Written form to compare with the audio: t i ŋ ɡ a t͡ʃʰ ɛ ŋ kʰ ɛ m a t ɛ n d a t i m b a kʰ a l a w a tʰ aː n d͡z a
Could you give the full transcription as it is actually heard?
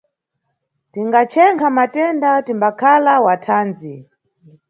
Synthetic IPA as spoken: t i ŋ ɡ a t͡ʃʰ ɛ ŋ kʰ a m a t ɛ n d a t i m b a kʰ a l a w a tʰ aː n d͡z i